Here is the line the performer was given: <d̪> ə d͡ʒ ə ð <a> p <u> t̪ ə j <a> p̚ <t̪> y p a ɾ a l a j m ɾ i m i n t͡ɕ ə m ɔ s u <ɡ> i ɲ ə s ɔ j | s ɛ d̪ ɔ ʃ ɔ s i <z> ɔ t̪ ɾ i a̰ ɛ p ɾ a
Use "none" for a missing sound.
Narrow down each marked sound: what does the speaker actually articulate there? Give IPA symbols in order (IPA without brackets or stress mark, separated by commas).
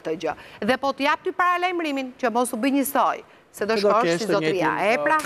t̪, ɛ, ɔ, a, t̪, b, z